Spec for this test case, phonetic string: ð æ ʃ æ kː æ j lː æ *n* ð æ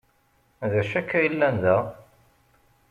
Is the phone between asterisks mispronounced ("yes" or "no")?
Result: no